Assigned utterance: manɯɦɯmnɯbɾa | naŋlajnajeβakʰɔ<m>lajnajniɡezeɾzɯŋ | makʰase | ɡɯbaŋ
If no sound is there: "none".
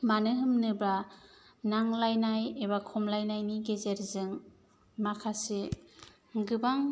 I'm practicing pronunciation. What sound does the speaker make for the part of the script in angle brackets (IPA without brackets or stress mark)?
m